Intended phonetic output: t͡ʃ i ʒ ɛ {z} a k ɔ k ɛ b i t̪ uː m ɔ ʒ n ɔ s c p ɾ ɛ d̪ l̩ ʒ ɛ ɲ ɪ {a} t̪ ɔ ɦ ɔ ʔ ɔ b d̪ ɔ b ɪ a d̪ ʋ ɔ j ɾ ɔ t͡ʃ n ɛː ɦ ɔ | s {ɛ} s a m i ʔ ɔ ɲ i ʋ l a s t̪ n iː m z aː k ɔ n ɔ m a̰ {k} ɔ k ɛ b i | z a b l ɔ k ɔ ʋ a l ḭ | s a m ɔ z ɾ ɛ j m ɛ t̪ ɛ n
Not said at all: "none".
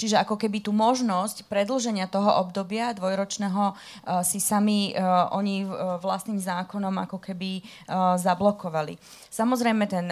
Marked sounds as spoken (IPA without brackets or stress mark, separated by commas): none, a, i, k